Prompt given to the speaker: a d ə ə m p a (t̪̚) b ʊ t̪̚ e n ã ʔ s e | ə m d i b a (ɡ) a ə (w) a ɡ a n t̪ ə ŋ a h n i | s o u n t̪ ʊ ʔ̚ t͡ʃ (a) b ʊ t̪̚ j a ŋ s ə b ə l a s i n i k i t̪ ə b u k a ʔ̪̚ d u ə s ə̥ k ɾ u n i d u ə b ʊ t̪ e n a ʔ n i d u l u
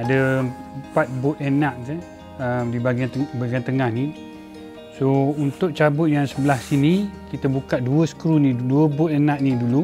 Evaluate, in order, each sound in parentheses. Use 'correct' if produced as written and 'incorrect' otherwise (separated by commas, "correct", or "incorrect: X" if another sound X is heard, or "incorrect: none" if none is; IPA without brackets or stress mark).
correct, correct, incorrect: b, correct